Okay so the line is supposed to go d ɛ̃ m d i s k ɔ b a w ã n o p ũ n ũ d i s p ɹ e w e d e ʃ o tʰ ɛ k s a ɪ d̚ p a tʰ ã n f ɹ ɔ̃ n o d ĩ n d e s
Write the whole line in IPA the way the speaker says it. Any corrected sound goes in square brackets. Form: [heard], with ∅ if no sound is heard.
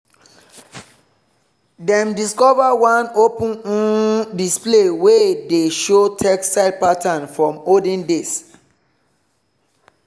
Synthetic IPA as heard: d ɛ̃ m d i s k ɔ [v] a w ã n o p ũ n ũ d i s p [l] e w e d e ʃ o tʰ ɛ k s a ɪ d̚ p a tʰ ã n f ɹ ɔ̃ [m] o d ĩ n d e s